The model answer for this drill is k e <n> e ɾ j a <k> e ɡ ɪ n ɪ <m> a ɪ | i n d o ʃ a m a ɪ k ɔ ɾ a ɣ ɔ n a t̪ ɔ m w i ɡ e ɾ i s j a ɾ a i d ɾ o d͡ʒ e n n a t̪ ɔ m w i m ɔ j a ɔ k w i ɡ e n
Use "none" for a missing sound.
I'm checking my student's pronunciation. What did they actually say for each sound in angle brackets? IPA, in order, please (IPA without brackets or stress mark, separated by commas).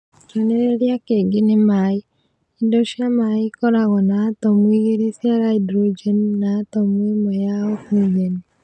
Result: n, k, m